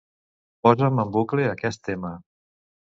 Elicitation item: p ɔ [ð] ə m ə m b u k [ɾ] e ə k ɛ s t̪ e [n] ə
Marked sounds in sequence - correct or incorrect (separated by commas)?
incorrect, incorrect, incorrect